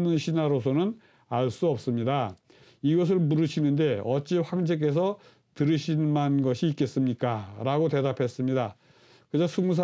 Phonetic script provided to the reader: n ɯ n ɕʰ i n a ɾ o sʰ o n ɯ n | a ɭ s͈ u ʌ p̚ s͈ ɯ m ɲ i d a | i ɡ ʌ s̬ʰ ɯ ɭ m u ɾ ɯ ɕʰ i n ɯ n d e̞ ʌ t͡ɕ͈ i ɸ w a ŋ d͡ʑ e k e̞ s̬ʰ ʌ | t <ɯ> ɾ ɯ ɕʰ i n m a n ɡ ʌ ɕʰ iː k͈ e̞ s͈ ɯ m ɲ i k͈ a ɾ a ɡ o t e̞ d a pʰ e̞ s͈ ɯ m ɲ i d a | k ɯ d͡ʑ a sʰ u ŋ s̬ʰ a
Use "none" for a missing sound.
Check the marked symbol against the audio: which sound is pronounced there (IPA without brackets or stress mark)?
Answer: ɯ